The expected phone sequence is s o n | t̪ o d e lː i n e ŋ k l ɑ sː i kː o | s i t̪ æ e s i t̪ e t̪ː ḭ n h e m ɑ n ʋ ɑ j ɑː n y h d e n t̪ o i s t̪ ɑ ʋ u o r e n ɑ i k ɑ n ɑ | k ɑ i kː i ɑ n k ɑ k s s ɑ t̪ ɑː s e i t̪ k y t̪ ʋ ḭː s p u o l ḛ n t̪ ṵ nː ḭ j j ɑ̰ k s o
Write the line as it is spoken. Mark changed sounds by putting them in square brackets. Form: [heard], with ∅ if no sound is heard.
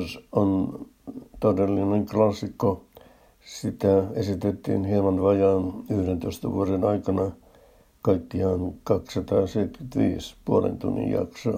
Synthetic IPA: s o n | t̪ o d e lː i n e ŋ k l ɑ sː i kː o | s i t̪ æ e s i t̪ e t̪ː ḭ n h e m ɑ n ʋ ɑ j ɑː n y h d e n t̪ o i s t̪ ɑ ʋ u o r e n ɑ i k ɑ n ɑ | k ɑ i kː i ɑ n k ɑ k s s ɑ t̪ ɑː s e i t̪ k y t̪ ʋ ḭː s p u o l ḛ n t̪ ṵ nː ḭ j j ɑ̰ k s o